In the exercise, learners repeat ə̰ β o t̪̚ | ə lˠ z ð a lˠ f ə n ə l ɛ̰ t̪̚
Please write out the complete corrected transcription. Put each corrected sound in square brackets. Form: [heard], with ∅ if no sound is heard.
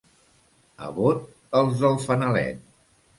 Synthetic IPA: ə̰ β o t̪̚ | ə lˠ z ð [ə] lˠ f ə n ə l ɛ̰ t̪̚

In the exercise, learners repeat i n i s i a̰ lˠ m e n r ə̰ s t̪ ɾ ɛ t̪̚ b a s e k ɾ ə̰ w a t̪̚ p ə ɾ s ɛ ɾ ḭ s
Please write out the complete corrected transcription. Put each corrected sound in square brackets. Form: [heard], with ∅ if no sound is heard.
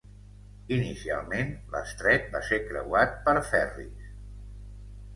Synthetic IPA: i n i s i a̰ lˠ m e n [l] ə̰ s t̪ ɾ ɛ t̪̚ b a s e k ɾ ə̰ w a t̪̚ p ə ɾ [f] ɛ [r] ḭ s

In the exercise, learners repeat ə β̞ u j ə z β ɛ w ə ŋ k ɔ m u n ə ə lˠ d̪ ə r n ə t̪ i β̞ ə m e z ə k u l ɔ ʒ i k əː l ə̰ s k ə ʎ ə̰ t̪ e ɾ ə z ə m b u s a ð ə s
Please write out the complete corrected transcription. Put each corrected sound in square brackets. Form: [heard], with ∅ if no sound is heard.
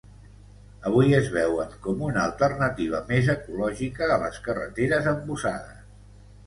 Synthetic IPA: ə β̞ u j ə z β ɛ w ə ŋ k ɔ m u n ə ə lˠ [t̪] ə r n ə t̪ i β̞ ə m e z ə k u l ɔ ʒ i k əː l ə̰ s k ə [r] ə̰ t̪ e ɾ ə z ə m b u s a ð ə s

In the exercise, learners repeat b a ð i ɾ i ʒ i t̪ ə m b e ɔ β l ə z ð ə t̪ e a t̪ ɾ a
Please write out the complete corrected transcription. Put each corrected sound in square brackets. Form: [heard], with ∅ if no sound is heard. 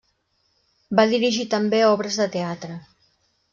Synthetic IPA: b a ð i ɾ i ʒ i t̪ ə m b e ɔ β [ɾ] ə z ð ə t̪ e a t̪ ɾ [ə]

